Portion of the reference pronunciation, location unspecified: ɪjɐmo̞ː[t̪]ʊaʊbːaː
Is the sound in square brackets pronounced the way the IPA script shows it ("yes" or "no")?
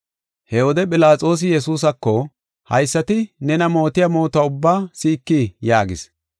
yes